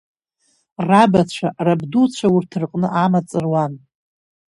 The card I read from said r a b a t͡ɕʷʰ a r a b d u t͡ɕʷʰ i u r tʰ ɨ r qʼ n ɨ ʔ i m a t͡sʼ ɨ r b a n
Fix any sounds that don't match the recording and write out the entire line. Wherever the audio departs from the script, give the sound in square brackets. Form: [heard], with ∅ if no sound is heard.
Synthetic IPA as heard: r a b a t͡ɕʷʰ a r a b d u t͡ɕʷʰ [a] u r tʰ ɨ r qʼ n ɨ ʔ [a] m a t͡sʼ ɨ r [w] a n